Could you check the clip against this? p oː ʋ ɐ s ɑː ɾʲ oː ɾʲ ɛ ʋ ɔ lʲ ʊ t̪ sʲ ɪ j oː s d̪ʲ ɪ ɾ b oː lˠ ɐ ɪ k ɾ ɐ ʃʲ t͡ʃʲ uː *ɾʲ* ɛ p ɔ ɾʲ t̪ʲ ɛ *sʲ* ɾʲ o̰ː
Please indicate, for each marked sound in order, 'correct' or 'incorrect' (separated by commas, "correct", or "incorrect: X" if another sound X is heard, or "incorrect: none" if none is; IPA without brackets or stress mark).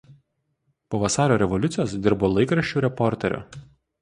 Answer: correct, incorrect: none